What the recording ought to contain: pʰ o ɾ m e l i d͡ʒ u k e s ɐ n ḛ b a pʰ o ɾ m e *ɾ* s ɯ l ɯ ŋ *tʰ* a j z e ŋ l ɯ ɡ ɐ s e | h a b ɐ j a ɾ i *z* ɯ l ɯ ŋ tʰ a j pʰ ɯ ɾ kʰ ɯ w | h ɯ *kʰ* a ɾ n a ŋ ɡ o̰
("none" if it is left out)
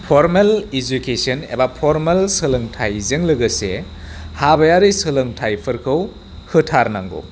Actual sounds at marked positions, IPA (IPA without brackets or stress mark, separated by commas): l, tʰ, s, tʰ